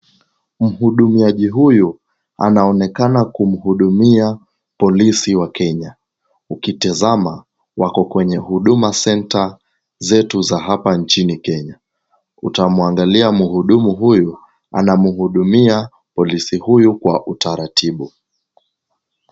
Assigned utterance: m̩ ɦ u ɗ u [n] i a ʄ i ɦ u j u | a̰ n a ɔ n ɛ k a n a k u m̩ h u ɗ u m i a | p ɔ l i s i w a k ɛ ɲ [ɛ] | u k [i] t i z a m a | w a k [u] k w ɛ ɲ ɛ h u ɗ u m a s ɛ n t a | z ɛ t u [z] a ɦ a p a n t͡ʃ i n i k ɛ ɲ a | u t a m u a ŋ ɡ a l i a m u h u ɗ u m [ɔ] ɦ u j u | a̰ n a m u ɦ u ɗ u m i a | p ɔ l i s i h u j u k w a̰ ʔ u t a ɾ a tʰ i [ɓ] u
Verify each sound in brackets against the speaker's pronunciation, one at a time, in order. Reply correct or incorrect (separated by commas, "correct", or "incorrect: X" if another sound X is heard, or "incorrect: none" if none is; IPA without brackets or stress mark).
incorrect: m, incorrect: a, correct, incorrect: ɔ, correct, incorrect: u, correct